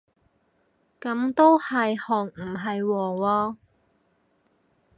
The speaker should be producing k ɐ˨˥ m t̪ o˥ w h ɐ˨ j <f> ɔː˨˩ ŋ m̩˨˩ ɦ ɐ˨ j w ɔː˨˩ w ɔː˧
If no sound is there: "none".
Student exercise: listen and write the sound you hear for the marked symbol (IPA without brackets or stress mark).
h